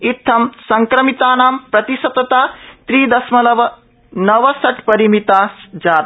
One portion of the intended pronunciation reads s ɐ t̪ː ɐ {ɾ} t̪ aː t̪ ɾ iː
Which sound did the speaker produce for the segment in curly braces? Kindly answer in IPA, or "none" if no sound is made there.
none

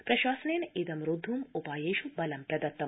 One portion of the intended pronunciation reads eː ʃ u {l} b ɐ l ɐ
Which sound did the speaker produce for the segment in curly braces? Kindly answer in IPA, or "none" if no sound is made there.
none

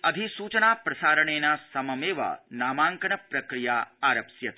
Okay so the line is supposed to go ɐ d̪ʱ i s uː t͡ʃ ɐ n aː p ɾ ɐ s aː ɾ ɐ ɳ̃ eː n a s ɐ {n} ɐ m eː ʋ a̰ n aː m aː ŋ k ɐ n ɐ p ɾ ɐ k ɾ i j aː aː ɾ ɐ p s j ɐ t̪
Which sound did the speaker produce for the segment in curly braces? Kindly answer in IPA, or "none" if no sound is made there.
m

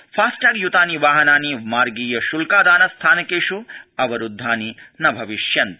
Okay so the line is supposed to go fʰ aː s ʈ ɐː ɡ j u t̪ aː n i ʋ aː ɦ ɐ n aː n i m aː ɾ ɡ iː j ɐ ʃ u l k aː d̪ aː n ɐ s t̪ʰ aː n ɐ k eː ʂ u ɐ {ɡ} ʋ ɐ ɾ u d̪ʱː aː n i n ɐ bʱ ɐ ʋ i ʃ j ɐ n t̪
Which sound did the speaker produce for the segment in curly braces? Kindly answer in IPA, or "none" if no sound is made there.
none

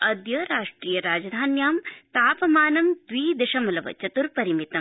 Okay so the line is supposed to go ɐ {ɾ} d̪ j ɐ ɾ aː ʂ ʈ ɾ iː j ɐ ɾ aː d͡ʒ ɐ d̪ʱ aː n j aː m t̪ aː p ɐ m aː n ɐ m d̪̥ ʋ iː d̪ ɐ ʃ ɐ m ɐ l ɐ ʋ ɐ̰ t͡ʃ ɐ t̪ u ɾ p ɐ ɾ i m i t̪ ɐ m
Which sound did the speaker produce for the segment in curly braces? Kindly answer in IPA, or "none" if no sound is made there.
none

